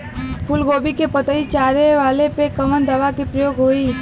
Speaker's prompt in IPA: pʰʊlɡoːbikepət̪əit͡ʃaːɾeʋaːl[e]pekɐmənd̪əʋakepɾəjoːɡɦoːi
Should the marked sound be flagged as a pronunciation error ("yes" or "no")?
no